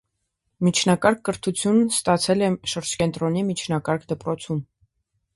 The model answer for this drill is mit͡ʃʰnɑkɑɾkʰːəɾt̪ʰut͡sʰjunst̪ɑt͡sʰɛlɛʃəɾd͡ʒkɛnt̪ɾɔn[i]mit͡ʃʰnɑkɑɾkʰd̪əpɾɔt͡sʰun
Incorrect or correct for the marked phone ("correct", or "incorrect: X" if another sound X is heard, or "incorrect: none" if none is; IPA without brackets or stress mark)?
correct